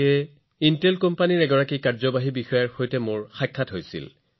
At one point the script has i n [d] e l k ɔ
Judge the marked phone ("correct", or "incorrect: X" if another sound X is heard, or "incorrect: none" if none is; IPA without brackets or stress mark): incorrect: t